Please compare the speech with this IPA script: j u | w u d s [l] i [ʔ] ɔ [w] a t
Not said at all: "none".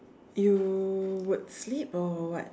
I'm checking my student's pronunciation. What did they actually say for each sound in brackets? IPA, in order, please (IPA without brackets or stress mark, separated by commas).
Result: l, p, w